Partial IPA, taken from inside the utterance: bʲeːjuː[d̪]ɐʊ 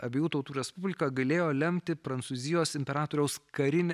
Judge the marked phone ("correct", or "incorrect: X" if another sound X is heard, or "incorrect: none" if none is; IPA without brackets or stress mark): incorrect: t̪